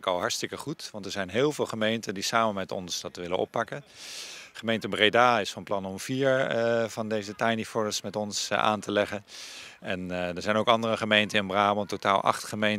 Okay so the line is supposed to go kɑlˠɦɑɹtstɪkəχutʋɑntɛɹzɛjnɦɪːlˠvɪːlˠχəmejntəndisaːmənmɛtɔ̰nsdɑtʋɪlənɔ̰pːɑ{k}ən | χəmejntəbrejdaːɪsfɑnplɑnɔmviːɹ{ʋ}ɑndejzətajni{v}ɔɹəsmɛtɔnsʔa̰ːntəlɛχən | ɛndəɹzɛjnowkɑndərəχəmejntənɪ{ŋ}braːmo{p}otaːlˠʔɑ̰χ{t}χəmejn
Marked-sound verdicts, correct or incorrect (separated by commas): correct, incorrect, incorrect, incorrect, incorrect, correct